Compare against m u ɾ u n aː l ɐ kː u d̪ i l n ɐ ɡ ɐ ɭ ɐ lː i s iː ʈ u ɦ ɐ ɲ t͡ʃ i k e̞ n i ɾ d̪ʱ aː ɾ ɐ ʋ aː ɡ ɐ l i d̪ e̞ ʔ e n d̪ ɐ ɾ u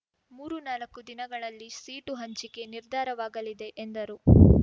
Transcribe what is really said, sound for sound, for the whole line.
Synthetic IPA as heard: m uː ɾ u n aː l ɐ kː u d̪ i n ɐ ɡ ɐ ɭ ɐ lː i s iː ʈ u ɦ ɐ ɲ t͡ʃ i k e̞ n i ɾ d̪ʱ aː ɾ ɐ ʋ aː ɡ ɐ l i d̪ e̞ ʔ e n d̪ ɐ ɾ u

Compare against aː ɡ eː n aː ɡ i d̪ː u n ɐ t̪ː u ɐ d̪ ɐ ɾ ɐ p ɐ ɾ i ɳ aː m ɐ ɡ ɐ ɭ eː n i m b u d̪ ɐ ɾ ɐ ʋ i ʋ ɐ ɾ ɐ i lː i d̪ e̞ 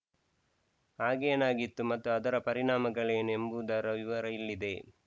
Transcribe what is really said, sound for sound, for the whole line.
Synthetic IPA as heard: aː ɡ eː n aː ɡ i t̪ː u m ɐ t̪ː u ɐ d̪ ɐ ɾ ɐ p ɐ ɾ i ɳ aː m ɐ ɡ ɐ ɭ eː n e m b u d̪ ɐ ɾ ɐ ʋ i ʋ ɐ ɾ ɐ i lː i d̪ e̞

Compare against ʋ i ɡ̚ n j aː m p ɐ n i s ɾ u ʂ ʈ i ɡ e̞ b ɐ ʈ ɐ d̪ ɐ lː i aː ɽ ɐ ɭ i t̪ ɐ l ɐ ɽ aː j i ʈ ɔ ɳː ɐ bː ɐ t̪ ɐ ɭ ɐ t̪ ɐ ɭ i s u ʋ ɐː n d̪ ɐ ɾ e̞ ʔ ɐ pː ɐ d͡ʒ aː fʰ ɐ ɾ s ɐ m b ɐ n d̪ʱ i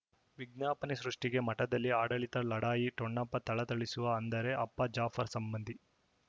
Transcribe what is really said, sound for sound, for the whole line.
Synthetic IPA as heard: ʋ i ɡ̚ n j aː p ɐ n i s ɾ u ʂ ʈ i ɡ e̞ m ɐ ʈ ɐ d̪ ɐ lː i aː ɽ ɐ ɭ i t̪ ɐ l ɐ ɽ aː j i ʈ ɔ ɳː ɐ pː ɐ t̪ ɐ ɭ ɐ t̪ ɐ ɭ i s u ʋ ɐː n d̪ ɐ ɾ e̞ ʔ ɐ pː ɐ d͡ʒ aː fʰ ɐ ɾ s ɐ m b ɐ n d̪ʱ i

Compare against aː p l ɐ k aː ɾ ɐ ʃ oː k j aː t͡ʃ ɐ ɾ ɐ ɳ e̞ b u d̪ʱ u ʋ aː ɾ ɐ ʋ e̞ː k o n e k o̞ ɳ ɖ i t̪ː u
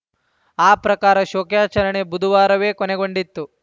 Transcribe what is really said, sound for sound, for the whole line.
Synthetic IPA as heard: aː p ɾ ɐ k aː ɾ ɐ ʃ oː k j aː t͡ʃ ɐ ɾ ɐ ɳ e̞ b u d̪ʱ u ʋ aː ɾ ɐ ʋ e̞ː k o n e ɡ o̞ ɳ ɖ i t̪ː u

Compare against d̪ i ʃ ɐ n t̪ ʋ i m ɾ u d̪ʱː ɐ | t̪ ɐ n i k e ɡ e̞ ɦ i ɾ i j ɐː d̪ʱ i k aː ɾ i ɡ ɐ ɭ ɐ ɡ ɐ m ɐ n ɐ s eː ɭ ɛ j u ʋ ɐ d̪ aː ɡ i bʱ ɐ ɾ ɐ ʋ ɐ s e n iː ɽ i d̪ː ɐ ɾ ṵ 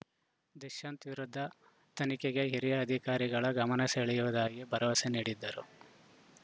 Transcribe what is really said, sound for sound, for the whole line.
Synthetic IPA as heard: d̪ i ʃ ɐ n t̪ ʋ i ɾ u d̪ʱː ɐ | t̪ ɐ n i k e ɡ e̞ ɦ i ɾ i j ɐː d̪ʱ i k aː ɾ i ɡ ɐ ɭ ɐ ɡ ɐ m ɐ n ɐ s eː ɭ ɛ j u ʋ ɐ d̪ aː ɡ i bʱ ɐ ɾ ɐ ʋ ɐ s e n iː ɽ i d̪ː ɐ ɾ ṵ

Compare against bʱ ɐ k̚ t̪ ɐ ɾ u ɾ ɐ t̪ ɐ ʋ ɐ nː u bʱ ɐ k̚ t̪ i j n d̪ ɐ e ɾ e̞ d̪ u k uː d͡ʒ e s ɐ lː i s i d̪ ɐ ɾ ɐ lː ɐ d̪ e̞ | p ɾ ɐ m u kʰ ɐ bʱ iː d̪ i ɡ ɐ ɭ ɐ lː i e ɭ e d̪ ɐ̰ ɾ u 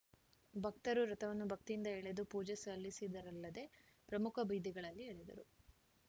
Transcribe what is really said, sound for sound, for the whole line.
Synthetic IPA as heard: bʱ ɐ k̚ t̪ ɐ ɾ u ɾ ɐ t̪ ɐ ʋ ɐ nː u bʱ ɐ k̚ t̪ i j n d̪ ɐ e ɭ e̞ d̪ u p uː d͡ʒ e s ɐ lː i s i d̪ ɐ ɾ ɐ lː ɐ d̪ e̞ | p ɾ ɐ m u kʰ ɐ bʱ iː d̪ i ɡ ɐ ɭ ɐ lː i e ɭ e d̪ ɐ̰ ɾ u

